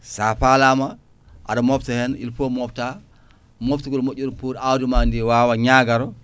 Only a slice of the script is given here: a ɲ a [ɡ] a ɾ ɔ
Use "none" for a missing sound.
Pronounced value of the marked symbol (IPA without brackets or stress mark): ɡ